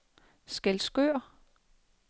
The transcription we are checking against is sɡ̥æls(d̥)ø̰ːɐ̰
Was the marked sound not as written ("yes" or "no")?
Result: yes